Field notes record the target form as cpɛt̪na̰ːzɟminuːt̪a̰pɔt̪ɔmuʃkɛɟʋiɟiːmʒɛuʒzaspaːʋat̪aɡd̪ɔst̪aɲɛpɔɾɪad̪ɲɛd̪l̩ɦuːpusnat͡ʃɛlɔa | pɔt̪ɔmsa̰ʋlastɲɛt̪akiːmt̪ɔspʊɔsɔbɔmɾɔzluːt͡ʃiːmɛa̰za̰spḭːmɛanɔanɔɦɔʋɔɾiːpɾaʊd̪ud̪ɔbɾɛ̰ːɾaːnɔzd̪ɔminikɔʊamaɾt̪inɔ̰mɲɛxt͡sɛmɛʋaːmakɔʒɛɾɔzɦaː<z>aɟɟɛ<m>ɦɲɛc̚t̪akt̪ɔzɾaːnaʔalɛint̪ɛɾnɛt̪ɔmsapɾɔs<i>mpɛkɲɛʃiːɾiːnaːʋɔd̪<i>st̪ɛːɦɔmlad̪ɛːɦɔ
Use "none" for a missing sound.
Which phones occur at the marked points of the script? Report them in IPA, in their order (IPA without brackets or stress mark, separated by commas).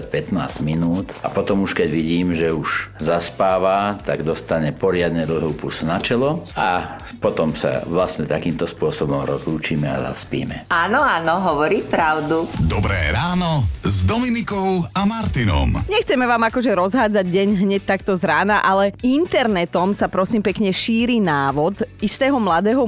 d͡z, ɲ, iː, i